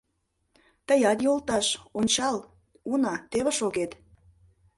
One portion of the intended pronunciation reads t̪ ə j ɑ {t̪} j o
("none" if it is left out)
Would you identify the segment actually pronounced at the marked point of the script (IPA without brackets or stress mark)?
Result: t̪